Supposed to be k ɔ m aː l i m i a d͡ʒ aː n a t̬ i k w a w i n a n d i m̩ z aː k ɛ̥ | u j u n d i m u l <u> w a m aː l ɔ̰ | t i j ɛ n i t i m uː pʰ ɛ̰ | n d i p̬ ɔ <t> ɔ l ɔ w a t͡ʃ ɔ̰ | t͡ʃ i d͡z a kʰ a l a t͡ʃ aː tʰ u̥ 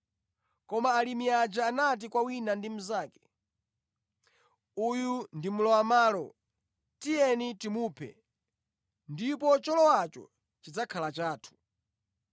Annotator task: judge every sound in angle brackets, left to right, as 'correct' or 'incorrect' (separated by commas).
incorrect, incorrect